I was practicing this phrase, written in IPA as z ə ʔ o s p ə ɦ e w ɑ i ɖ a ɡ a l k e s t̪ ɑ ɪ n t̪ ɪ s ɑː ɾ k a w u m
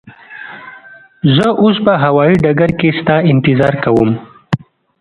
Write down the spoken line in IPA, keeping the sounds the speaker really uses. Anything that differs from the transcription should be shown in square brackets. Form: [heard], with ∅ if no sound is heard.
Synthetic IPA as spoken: z ə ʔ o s p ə ɦ [a] w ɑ i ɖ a ɡ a [ɾ] k e s t̪ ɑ ɪ n t̪ ɪ [z] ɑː ɾ k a w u m

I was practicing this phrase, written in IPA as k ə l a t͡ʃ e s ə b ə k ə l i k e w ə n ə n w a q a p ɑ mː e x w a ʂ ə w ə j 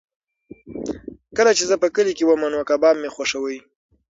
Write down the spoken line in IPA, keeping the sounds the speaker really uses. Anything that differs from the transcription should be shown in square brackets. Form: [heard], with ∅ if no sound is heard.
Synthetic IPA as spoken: k ə l a t͡ʃ e [z] ə [p] ə k ə l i k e w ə [m] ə n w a [k] a [b] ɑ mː e x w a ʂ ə w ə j

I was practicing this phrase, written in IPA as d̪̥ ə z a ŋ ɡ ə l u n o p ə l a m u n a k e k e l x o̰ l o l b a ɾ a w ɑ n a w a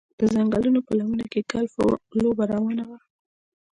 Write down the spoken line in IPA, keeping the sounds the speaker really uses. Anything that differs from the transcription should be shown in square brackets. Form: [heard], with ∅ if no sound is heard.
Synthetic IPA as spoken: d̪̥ ə z a ŋ ɡ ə l u n o p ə l a m u n a k e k [a] l [f] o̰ l o [∅] b a ɾ a w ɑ n a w a

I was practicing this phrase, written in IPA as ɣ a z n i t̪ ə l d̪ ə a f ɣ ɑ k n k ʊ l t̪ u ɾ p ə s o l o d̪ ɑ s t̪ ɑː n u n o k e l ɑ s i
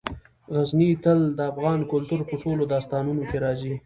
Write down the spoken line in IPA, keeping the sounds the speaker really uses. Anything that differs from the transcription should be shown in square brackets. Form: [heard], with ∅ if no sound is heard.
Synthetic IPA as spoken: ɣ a z n i t̪ ə l d̪ ə a f ɣ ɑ [∅] n k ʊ l t̪ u ɾ p ə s o l o d̪ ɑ s t̪ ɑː n u n o k e [ɾ] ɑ [z] i

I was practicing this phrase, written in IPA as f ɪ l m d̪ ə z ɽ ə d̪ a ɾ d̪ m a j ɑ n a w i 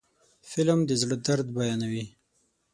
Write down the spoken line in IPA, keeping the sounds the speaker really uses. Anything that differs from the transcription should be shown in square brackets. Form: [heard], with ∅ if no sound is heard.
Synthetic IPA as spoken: f ɪ l m d̪ ə z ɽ ə d̪ a ɾ d̪ [b] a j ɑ n a w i

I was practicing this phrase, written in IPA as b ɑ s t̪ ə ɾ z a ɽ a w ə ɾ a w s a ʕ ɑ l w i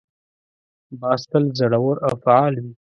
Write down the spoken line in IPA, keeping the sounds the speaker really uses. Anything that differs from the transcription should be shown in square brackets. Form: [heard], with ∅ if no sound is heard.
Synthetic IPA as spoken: b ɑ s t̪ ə [l] z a ɽ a w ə ɾ a w [f] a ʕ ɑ l w i

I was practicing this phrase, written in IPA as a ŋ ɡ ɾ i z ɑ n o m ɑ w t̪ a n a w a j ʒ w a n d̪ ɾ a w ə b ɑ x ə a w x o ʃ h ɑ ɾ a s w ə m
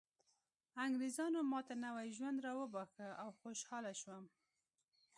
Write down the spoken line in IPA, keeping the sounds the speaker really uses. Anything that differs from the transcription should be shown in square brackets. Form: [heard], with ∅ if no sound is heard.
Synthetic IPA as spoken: a ŋ ɡ ɾ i z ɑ n o m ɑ [∅] t̪ a n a w a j ʒ w a n d̪ ɾ [ɑ] w ə b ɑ x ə a w x o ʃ h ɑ [l] a [ʃ] w ə m

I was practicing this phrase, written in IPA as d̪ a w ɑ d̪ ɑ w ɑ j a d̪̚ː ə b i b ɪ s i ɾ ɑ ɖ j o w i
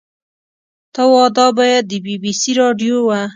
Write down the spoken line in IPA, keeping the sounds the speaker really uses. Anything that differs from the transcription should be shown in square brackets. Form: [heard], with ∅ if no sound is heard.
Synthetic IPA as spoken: [t̪] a w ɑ d̪ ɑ [b] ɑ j a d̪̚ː ə b i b [i] s i ɾ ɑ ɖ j o w [a]

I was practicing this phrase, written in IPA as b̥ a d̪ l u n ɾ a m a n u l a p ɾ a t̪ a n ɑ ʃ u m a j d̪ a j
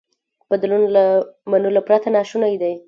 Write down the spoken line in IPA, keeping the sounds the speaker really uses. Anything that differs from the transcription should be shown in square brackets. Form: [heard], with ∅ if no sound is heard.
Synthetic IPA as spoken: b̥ a d̪ l u n [l] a m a n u l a p ɾ a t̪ a n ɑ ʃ u [n] a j d̪ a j

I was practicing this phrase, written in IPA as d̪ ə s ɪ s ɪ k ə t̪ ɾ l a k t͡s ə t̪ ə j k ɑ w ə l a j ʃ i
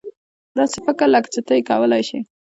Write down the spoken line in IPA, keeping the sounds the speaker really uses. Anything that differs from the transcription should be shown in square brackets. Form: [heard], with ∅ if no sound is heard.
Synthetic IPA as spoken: d̪ [ɑ] s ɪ [f] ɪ k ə [∅] ɾ l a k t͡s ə t̪ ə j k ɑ w ə l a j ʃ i

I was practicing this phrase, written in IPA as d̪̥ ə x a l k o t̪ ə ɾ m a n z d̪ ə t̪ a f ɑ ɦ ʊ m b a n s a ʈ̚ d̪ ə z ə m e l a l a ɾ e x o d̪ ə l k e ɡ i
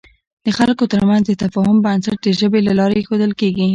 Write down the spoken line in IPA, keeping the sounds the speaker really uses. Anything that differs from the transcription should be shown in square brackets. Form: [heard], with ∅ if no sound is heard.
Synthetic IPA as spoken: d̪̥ ə x a l k o t̪ ə ɾ m a n z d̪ ə t̪ a f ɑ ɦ ʊ m b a n s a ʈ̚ d̪ ə [ʒ] ə [b] e l a l [ɑ] ɾ e x o d̪ ə l k e ɡ i

